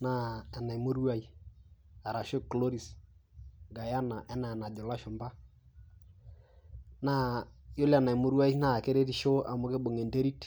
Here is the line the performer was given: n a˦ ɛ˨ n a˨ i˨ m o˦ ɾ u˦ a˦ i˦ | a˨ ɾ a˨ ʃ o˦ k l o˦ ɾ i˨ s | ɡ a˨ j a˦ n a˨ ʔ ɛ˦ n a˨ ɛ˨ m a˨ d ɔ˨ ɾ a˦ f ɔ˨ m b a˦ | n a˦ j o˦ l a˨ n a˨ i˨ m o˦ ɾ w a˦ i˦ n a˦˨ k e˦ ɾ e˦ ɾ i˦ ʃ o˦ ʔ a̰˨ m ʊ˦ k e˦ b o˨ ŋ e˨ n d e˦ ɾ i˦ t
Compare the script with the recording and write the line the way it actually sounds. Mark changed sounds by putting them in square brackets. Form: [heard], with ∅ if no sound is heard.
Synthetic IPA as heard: n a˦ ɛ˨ n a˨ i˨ m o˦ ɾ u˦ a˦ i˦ | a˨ ɾ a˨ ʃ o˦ k l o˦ ɾ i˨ s | ɡ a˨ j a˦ n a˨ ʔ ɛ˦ n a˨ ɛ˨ [n] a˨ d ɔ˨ [l] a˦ [ʃ] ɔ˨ m b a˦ | n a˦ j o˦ l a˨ n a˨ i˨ m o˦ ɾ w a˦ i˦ n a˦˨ k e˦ ɾ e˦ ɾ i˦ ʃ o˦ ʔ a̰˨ m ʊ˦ k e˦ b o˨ ŋ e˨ n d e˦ ɾ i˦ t